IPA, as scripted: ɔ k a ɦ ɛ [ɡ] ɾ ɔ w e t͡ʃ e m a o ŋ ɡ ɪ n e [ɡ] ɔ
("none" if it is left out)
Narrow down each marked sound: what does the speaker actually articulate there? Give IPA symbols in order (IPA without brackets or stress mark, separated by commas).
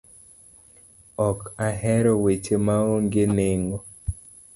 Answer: none, ŋ